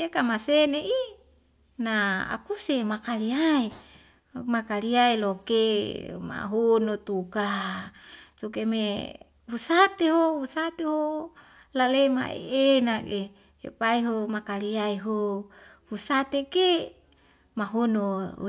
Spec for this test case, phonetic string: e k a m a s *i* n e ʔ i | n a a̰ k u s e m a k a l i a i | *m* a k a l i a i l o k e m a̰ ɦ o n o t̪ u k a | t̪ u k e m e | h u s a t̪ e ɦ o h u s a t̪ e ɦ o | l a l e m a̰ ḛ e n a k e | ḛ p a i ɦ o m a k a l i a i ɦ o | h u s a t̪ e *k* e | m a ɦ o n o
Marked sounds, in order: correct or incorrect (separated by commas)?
incorrect, correct, correct